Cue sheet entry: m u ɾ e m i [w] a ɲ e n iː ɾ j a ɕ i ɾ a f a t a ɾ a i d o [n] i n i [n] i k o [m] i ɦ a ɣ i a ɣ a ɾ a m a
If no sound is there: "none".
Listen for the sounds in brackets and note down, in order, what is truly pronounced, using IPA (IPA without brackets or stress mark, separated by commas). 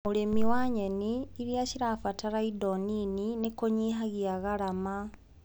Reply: w, n, n, ɲ